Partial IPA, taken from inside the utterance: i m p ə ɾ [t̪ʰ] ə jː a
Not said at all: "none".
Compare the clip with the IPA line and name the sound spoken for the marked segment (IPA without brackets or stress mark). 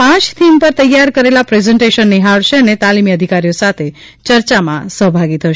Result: t̪